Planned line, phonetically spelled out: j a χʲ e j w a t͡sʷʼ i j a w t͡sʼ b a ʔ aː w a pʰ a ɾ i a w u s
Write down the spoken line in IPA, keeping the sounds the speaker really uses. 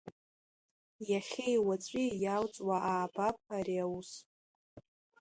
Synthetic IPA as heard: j a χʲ e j w a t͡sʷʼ i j a w t͡sʼ w a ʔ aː b a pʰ a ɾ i a w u s

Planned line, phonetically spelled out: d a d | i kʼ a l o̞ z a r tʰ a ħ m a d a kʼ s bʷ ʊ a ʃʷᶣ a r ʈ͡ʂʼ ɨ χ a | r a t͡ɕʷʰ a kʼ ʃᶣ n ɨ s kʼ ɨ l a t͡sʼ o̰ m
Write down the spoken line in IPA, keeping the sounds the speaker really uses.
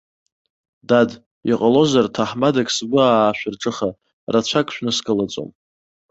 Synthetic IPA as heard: d a d | i qʼ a l o̞ z a r tʰ a ħ m a d a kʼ s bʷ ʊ a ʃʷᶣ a r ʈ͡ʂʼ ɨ χ a | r a t͡ɕʷʰ a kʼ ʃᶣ n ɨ s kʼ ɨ l a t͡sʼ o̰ m

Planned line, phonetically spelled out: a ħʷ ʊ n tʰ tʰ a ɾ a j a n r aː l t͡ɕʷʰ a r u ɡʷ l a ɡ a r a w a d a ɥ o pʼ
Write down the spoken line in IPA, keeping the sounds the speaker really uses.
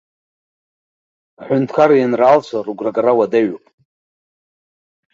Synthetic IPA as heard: a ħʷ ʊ n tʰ kʰ a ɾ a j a n r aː l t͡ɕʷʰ a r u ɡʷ r a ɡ a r a w a d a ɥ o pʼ

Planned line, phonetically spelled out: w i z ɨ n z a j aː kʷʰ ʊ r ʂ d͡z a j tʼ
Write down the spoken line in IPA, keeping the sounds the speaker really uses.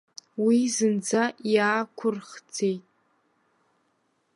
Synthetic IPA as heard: w i z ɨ n d͡z a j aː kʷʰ ʊ r χ d͡z e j tʼ

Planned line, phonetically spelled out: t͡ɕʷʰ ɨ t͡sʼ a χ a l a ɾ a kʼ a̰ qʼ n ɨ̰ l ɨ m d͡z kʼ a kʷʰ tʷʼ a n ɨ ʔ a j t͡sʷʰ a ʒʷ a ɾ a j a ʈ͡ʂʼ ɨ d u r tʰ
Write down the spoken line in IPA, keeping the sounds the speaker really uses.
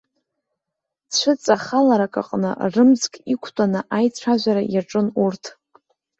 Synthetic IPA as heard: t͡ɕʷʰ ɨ t͡sʼ a χ a l a ɾ a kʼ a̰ qʼ n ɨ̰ r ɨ m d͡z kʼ i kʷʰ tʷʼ a n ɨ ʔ a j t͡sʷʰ a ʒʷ a ɾ a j a ʈ͡ʂʼ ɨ n u r tʰ

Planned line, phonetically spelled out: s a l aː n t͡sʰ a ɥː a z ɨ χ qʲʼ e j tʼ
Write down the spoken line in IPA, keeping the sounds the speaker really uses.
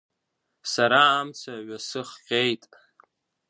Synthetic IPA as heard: s a ɾ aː m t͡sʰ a ɥ a s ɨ χ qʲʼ e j tʼ

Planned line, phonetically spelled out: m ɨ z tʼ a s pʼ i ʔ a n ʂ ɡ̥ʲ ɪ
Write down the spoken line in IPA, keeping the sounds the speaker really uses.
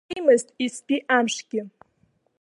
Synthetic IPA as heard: m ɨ z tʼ i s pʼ i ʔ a m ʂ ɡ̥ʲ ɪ

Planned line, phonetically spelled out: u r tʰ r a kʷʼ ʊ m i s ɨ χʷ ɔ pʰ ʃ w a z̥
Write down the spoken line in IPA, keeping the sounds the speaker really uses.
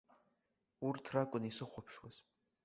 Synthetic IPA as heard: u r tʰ r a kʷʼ ʊ n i s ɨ χʷ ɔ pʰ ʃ w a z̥

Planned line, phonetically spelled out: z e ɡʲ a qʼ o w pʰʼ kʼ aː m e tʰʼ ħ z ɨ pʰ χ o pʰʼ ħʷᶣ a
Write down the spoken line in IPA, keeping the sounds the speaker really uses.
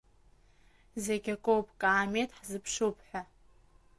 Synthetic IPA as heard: z e ɡʲ a kʼ o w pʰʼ kʼ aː m e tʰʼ ħ z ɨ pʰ ʂ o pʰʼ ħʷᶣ a

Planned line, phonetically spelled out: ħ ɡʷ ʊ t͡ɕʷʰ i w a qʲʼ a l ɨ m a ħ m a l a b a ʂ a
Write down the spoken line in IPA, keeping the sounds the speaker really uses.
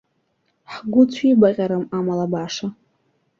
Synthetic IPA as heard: ħ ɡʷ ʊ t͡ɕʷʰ i b a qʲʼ a ɾ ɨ m a m a l a b a ʂ a

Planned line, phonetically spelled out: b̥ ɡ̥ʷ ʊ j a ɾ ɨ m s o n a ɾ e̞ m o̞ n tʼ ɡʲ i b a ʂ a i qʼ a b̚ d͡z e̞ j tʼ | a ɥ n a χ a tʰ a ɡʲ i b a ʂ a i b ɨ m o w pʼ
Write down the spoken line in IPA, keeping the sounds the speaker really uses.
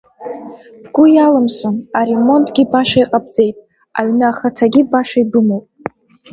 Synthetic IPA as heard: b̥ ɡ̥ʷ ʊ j a l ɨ m s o n a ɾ e̞ m o̞ n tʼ ɡʲ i b a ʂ a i qʼ a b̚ d͡z e̞ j tʼ | a ɥ n a χ a tʰ a ɡʲ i b a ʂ a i b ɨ m o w pʼ

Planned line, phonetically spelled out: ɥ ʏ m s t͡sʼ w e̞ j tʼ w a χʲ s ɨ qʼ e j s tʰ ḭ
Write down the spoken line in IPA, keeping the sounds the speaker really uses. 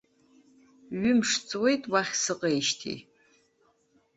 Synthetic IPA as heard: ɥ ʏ m ʂ t͡sʼ w e̞ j tʼ w a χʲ s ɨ qʼ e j ʃ tʰ ḭ

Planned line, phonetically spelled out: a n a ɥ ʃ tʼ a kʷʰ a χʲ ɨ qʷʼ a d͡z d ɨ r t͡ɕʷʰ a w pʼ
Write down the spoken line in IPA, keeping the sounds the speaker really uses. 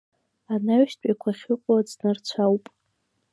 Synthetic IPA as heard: a n a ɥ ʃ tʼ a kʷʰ a χʲ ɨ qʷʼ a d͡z n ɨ r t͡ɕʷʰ a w pʼ

